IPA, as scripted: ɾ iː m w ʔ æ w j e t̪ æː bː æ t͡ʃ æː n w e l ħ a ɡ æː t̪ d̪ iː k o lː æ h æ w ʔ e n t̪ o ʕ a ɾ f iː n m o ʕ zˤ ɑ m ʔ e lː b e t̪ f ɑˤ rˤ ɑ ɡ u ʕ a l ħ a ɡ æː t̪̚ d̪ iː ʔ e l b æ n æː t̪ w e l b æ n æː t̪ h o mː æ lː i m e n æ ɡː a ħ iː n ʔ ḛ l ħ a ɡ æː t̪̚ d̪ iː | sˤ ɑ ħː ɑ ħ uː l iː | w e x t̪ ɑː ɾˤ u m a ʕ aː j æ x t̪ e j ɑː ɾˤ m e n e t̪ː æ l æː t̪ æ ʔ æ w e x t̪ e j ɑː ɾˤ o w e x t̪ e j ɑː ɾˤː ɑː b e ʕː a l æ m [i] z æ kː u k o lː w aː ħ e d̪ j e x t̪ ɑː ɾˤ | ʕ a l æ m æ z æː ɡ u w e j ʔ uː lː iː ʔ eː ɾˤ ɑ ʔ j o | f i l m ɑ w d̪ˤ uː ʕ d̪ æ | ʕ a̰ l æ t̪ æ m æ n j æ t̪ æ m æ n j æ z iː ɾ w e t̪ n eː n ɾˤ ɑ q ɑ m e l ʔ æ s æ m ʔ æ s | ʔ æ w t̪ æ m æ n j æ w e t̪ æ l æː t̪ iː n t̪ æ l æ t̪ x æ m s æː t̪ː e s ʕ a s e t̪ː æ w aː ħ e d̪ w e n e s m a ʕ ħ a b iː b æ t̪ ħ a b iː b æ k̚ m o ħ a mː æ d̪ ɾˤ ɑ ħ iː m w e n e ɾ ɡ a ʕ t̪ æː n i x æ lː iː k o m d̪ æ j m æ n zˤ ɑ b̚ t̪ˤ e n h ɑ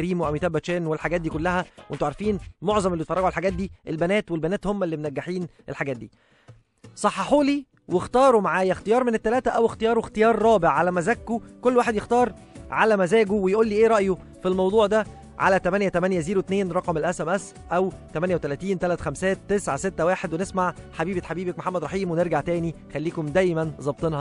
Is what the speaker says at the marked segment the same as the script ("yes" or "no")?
no